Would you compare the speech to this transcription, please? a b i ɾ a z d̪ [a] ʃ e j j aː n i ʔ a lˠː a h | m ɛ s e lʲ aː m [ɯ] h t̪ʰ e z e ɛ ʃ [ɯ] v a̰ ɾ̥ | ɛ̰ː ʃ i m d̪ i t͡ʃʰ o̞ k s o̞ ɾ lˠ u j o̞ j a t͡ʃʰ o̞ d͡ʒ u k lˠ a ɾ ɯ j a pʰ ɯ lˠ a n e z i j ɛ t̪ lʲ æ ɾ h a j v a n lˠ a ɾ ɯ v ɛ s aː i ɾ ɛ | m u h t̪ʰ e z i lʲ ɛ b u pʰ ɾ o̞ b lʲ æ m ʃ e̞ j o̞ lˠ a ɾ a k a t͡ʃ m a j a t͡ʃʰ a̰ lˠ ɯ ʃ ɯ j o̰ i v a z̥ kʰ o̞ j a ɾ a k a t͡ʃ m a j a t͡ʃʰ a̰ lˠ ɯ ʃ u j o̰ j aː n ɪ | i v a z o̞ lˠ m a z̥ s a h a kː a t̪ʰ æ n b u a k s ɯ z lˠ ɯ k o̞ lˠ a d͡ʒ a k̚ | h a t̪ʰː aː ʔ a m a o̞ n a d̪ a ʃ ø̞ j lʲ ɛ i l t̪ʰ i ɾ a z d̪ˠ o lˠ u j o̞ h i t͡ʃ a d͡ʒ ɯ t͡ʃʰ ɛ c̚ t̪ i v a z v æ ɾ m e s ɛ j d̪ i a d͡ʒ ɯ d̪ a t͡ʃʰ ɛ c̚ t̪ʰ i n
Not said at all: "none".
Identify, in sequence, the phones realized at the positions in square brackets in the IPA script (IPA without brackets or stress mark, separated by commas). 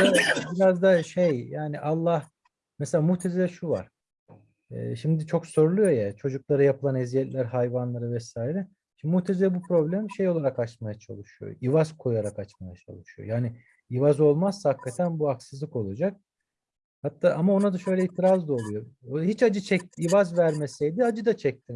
a, u, u